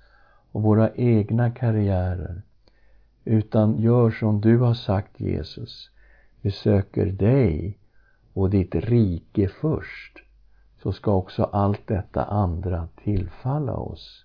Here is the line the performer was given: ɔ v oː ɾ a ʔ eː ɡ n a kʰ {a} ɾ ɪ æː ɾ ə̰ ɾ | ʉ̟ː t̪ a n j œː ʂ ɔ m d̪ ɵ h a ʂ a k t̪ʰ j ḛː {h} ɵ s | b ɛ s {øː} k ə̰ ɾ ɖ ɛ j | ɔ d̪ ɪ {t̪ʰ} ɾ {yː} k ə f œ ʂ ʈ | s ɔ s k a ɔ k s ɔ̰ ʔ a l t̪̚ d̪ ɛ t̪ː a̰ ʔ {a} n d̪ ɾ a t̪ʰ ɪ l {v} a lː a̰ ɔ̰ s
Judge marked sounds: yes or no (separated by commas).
yes, no, yes, no, no, yes, no